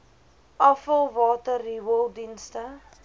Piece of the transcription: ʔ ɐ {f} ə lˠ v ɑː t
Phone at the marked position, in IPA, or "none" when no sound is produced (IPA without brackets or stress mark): f